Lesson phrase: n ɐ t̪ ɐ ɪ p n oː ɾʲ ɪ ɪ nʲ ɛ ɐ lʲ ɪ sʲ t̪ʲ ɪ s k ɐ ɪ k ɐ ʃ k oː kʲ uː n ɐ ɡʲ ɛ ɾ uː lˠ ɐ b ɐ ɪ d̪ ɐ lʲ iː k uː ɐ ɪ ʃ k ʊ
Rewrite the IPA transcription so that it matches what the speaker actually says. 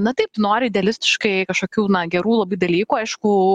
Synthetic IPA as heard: n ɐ t̪ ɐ ɪ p n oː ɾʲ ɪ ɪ dʲ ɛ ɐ lʲ ɪ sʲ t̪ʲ ɪ ʃ k ɐ ɪ k ɐ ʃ k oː kʲ uː n ɐ ɡʲ ɛ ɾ uː lˠ ɐ b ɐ ɪ d̪ ɐ lʲ iː k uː ɐ ɪ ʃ k ʊ